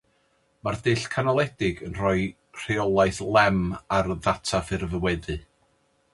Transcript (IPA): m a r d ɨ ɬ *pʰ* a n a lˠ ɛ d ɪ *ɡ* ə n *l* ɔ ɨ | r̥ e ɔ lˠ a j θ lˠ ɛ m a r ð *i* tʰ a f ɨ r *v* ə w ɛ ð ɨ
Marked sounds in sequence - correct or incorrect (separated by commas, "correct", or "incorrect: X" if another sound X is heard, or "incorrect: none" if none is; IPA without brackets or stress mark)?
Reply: incorrect: kʰ, correct, incorrect: r, incorrect: a, correct